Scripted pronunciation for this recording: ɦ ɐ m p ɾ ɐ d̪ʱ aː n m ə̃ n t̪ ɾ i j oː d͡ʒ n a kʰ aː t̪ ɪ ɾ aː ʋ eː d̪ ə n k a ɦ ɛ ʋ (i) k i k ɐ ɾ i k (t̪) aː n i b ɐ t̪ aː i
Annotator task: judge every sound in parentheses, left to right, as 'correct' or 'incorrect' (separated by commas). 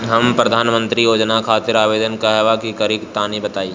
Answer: incorrect, correct